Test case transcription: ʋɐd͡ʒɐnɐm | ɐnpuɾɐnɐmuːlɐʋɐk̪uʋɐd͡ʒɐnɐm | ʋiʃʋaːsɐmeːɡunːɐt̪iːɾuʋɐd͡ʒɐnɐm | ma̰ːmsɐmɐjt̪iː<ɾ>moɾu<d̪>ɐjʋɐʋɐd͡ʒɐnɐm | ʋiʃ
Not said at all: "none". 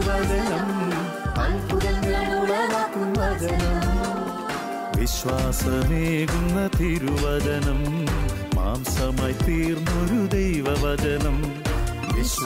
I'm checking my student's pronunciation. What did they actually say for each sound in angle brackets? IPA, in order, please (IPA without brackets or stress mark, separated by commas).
ɾ, d̪